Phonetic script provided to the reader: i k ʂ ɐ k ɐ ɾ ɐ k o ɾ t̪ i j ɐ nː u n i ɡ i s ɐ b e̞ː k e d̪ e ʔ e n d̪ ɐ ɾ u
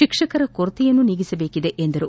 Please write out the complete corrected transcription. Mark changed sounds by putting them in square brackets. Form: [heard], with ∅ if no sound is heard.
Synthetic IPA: i k ʂ ɐ k ɐ ɾ ɐ k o ɾ t̪ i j ɐ nː u n i ɡ i s ɐ b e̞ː k [i] d̪ e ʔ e n d̪ ɐ ɾ u

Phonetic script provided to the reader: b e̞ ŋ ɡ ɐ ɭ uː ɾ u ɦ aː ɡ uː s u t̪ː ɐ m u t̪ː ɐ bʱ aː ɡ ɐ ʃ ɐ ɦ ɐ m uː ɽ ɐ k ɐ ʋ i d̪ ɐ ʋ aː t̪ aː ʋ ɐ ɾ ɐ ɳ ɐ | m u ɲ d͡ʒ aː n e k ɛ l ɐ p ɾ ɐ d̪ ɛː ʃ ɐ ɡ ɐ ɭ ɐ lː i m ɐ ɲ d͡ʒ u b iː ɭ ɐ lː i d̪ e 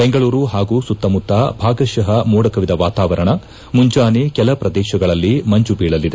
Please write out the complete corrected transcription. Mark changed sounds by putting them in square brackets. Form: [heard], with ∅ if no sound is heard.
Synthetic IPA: b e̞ ŋ ɡ ɐ ɭ uː ɾ u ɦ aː ɡ uː s u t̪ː ɐ m u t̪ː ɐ bʱ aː ɡ ɐ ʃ ɐ ɦ ɐ m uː ɽ ɐ k ɐ ʋ i d̪ ɐ ʋ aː t̪ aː ʋ ɐ ɾ ɐ ɳ ɐ | m u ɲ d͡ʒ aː n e k ɛ l ɐ p ɾ ɐ d̪ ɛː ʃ ɐ ɡ ɐ ɭ ɐ lː i m ɐ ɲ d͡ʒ u b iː ɭ ɐ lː i d̪ e

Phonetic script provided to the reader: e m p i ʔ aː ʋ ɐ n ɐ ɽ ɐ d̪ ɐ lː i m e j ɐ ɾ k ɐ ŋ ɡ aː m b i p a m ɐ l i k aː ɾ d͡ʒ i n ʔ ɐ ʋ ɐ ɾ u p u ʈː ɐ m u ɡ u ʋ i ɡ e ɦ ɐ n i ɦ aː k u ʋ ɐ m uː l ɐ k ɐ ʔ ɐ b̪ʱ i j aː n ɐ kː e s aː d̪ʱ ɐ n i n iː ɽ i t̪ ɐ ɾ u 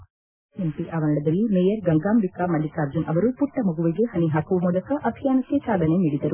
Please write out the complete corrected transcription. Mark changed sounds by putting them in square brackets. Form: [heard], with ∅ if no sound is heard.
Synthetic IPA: e m p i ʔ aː ʋ ɐ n ɐ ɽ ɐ d̪ ɐ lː i m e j ɐ ɾ [ɡ] ɐ ŋ ɡ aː m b i [k] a m ɐ l i k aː ɾ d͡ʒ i n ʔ ɐ ʋ ɐ ɾ u p u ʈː ɐ m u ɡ u ʋ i ɡ e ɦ ɐ n i ɦ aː k u ʋ ɐ m uː l ɐ k ɐ ʔ ɐ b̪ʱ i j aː n ɐ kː e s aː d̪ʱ ɐ n [e] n iː ɽ i [d̪] ɐ ɾ u

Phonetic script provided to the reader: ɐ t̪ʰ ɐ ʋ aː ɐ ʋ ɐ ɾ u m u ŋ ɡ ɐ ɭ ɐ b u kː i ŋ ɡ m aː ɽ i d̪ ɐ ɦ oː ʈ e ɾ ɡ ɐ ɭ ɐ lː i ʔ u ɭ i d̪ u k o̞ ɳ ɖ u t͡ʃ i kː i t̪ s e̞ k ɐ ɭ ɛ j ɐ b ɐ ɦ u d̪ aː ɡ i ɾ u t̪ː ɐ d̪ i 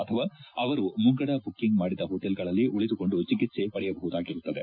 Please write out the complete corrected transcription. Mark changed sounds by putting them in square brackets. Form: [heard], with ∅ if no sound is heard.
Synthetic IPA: ɐ t̪ʰ ɐ ʋ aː ɐ ʋ ɐ ɾ u m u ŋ ɡ ɐ [ɽ] ɐ b u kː i ŋ ɡ m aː ɽ i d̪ ɐ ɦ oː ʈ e [l] ɡ ɐ ɭ ɐ lː i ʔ u ɭ i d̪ u k o̞ ɳ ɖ u t͡ʃ i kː i t̪ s e̞ [p] ɐ [ɽ] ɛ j ɐ b ɐ ɦ u d̪ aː ɡ i ɾ u t̪ː ɐ d̪ [e]

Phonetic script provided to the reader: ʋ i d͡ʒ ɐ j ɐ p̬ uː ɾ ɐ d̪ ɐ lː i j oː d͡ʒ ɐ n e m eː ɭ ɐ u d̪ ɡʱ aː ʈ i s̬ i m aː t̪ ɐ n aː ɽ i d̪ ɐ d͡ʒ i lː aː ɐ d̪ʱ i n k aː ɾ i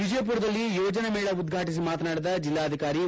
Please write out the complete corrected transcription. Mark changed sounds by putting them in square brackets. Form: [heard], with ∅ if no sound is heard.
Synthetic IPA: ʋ i d͡ʒ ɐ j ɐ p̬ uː ɾ ɐ d̪ ɐ lː i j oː d͡ʒ ɐ n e m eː ɭ ɐ u d̪ ɡʱ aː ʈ i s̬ i m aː t̪ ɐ n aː ɽ i d̪ ɐ d͡ʒ i lː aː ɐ d̪ʱ i [∅] k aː ɾ i

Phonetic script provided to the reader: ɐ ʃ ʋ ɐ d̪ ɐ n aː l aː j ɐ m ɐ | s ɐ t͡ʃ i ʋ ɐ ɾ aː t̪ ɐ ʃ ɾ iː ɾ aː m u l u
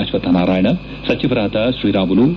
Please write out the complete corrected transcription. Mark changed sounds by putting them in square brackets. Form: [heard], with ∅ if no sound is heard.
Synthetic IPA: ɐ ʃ ʋ ɐ [t̪] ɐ n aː [ɾ] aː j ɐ [ɳ] ɐ | s ɐ t͡ʃ i ʋ ɐ ɾ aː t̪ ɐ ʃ ɾ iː ɾ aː m u l u

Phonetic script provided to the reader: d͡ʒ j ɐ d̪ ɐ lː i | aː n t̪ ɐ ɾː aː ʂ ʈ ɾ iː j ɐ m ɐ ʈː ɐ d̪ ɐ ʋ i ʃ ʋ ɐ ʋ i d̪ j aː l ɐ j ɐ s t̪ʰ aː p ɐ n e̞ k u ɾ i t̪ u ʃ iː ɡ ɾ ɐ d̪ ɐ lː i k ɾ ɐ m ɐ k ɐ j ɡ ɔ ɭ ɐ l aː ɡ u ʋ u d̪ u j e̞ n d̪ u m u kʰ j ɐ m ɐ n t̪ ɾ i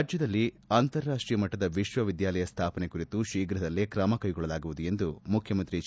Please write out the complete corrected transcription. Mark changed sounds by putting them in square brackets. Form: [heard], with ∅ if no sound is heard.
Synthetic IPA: d͡ʒ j ɐ d̪ ɐ lː i | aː n t̪ ɐ ɾː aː ʂ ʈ ɾ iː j ɐ m ɐ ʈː ɐ d̪ ɐ ʋ i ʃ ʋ ɐ ʋ i d̪ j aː l ɐ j ɐ s t̪ʰ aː p ɐ n e̞ k u ɾ i t̪ u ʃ iː ɡ ɾ ɐ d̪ ɐ lː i k ɾ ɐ m ɐ k ɐ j ɡ ɔ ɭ ɐ l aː ɡ u ʋ u d̪ u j e̞ n d̪ u m u kʰ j ɐ m ɐ n t̪ ɾ i

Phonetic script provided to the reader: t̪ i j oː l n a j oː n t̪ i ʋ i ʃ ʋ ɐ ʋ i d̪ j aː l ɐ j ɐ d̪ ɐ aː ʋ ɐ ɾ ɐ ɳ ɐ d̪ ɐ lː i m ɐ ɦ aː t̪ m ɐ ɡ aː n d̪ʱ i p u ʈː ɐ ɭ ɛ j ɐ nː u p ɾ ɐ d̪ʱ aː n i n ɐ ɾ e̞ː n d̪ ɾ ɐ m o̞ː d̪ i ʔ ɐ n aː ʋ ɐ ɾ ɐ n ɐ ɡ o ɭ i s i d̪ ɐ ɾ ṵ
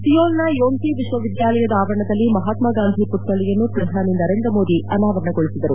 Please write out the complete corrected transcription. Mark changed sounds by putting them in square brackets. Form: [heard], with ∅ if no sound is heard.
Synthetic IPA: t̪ i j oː l n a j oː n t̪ i ʋ i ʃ ʋ ɐ ʋ i d̪ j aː l ɐ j ɐ d̪ ɐ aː ʋ ɐ ɾ ɐ ɳ ɐ d̪ ɐ lː i m ɐ ɦ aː t̪ m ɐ ɡ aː n d̪ʱ i p u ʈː ɐ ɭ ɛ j ɐ nː u p ɾ ɐ d̪ʱ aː n i n ɐ ɾ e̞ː n d̪ ɾ ɐ m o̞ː d̪ i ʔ ɐ n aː ʋ ɐ ɾ ɐ [ɳ] ɐ ɡ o ɭ i s i d̪ ɐ ɾ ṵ

